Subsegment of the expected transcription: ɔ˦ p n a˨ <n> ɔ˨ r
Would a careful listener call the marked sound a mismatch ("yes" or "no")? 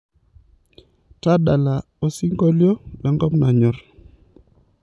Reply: yes